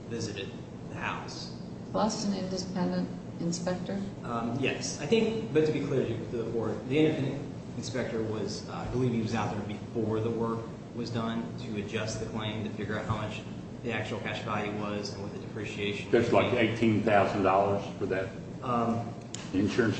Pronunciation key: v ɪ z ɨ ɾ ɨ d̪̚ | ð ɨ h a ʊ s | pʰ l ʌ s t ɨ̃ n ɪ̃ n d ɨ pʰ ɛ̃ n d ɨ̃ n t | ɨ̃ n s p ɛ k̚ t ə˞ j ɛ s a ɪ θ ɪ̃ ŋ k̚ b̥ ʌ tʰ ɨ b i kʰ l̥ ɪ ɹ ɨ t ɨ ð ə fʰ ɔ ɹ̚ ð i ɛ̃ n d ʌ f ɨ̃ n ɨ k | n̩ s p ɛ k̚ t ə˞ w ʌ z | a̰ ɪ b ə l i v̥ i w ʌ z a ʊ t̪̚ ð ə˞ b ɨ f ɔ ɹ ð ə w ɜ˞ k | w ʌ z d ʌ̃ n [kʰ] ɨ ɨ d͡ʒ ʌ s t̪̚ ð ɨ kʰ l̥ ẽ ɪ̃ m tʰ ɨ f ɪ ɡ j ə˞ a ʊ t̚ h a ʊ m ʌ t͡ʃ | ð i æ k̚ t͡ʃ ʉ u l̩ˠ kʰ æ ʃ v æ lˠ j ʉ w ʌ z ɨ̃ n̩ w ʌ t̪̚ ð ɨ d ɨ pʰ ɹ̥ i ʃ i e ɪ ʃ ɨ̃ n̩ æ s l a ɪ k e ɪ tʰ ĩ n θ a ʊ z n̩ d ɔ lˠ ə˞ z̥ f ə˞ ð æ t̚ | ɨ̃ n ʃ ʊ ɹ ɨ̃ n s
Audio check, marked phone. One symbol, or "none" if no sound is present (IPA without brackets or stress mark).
tʰ